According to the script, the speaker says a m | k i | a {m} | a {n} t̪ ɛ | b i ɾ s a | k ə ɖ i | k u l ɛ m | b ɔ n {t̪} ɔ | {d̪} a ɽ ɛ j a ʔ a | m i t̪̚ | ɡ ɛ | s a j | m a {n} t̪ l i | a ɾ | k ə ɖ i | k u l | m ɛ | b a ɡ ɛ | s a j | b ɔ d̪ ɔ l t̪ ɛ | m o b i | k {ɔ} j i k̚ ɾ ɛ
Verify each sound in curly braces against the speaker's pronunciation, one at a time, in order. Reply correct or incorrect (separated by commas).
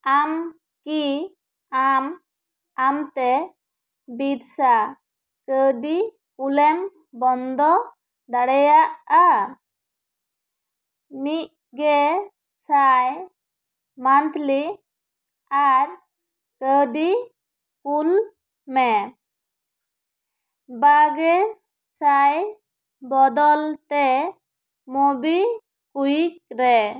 correct, incorrect, incorrect, correct, correct, incorrect